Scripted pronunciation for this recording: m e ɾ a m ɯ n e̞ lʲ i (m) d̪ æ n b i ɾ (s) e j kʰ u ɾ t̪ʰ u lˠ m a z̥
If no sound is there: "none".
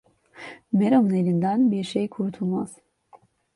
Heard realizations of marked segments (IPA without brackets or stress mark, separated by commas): n, ʃ